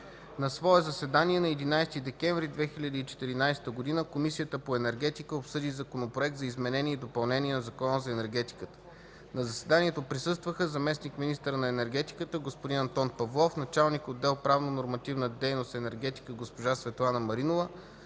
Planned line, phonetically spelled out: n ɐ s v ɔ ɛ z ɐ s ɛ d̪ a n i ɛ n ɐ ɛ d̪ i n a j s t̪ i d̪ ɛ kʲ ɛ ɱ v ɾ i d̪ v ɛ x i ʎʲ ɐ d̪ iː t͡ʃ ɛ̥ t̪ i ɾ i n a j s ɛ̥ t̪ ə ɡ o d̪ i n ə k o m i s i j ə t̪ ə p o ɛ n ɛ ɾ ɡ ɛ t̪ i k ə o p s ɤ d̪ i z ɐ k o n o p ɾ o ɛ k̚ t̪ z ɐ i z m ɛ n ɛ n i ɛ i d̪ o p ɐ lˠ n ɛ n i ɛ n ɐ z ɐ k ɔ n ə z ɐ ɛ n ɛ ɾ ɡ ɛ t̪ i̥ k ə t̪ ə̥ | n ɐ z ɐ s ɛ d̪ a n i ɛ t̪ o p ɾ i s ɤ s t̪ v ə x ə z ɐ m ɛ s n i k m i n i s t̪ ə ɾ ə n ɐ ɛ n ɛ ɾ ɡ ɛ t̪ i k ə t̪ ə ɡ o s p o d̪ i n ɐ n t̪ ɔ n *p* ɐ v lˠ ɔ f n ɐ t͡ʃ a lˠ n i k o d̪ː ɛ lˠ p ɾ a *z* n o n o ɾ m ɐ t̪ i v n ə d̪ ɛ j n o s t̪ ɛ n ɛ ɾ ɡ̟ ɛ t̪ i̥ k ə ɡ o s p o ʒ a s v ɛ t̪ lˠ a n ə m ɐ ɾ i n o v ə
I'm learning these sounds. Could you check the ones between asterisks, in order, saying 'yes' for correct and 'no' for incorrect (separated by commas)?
yes, no